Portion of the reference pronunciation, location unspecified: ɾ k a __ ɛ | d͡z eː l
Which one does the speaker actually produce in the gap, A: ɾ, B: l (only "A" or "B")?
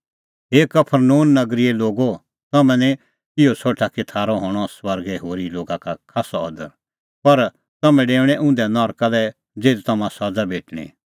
B